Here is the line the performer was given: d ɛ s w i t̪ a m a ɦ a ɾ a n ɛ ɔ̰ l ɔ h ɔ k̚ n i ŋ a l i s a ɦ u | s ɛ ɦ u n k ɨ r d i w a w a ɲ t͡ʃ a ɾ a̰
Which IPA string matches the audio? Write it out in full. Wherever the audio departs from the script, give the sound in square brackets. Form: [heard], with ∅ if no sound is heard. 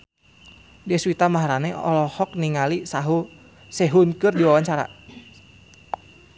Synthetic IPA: d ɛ s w i t̪ a m a ɦ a ɾ a n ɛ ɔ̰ l ɔ h ɔ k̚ n i ŋ a l i s a ɦ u | s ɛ ɦ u n k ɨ r d i w a w a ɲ t͡ʃ a ɾ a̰